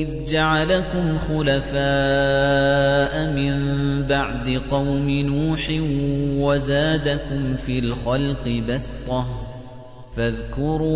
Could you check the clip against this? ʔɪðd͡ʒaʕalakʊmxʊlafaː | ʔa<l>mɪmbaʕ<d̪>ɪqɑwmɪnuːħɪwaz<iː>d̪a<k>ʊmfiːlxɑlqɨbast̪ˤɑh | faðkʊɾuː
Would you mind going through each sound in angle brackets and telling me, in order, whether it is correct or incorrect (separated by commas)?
incorrect, correct, incorrect, correct